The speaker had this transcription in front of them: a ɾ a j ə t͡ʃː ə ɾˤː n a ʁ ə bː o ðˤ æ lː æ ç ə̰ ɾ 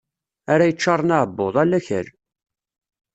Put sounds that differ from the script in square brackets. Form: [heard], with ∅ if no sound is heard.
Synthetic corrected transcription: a ɾ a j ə t͡ʃː [ɑ] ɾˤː n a [ʕ] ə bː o ðˤ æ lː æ ç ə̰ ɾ